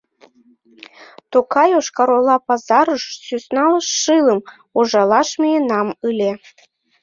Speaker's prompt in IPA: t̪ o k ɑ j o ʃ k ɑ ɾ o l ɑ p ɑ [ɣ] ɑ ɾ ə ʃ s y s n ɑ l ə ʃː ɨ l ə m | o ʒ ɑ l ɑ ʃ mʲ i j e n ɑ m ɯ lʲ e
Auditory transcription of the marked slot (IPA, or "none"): z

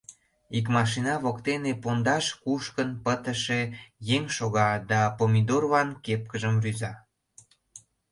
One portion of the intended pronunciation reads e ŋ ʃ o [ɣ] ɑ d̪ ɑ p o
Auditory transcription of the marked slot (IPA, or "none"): ɣ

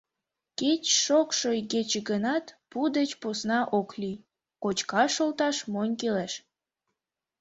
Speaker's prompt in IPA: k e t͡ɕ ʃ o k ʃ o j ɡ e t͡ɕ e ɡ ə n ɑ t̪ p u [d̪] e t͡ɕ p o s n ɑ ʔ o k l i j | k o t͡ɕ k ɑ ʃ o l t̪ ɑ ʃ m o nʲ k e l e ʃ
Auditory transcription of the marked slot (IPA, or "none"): d̪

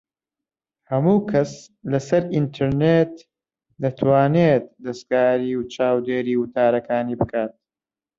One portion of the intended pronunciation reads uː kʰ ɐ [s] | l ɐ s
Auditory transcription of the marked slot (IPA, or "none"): s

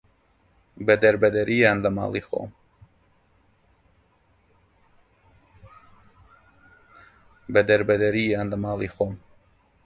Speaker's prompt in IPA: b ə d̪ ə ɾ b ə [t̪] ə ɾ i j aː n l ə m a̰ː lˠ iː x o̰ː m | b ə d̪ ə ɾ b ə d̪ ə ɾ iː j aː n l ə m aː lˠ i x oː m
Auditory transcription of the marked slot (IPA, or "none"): d̪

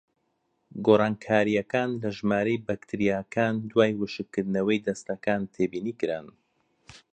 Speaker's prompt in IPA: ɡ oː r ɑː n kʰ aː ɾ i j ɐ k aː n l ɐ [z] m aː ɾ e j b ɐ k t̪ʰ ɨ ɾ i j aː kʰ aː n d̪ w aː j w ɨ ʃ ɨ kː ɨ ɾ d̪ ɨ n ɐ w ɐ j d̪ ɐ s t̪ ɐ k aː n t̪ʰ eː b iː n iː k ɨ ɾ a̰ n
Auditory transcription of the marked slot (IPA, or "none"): ʒ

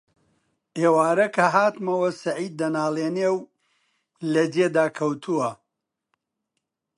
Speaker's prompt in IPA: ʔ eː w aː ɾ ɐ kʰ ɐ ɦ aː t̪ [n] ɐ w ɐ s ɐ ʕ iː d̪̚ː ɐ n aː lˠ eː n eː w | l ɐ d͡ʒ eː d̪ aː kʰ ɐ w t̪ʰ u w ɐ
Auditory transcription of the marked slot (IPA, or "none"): m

